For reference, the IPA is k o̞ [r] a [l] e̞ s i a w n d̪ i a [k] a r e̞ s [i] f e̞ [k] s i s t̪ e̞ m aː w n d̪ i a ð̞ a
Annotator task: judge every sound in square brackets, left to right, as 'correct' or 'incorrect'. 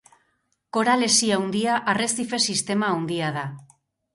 incorrect: ɾ, correct, incorrect: ʔ, correct, incorrect: none

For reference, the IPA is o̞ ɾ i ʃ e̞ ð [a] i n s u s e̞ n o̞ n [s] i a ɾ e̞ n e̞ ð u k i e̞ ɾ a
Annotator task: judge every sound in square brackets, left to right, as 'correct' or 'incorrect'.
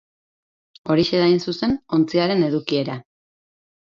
correct, incorrect: t͡s

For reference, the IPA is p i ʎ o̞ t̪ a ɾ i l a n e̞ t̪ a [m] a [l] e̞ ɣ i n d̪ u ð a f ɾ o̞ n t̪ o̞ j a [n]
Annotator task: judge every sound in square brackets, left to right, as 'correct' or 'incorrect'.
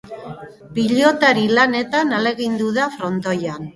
incorrect: n, correct, correct

